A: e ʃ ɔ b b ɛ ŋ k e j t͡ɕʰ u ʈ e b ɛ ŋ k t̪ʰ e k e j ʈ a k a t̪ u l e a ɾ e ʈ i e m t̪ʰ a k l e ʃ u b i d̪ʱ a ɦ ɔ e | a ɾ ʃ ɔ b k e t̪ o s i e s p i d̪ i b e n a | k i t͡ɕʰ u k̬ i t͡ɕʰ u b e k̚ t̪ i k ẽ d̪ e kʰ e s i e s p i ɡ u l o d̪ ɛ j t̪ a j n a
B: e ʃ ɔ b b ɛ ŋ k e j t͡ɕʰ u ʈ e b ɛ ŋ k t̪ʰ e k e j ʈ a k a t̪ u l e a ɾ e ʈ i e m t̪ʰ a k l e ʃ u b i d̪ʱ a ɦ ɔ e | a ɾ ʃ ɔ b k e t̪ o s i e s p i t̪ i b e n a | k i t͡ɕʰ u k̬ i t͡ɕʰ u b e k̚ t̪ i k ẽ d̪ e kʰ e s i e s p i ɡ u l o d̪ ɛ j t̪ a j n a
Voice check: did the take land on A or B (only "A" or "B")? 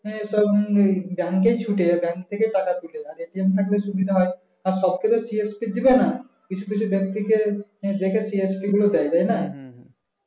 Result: A